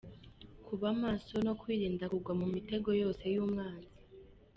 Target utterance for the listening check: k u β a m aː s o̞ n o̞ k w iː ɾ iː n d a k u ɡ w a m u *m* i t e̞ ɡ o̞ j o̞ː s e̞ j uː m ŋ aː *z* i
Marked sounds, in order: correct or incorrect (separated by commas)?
correct, correct